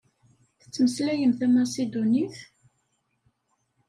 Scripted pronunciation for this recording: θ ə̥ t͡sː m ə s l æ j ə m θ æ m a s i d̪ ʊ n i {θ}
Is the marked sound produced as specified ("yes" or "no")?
yes